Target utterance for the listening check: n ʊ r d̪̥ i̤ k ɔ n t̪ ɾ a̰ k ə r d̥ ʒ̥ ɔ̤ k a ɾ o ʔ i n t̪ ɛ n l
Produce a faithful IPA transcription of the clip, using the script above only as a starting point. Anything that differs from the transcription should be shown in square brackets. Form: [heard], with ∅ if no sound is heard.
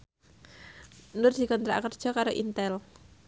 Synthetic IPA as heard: n ʊ r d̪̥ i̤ k ɔ n t̪ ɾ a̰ k ə r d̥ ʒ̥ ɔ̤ k a ɾ o ʔ i n t̪ ɛ [∅] l